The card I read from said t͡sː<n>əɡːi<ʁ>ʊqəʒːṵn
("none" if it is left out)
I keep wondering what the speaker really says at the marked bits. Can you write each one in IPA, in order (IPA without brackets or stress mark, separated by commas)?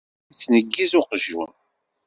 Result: n, z